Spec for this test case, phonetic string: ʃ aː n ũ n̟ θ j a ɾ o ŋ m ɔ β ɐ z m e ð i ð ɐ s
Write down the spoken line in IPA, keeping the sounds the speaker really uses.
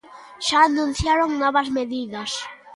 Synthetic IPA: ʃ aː n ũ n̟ θ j a ɾ o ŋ n ɔ β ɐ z m e ð i ð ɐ s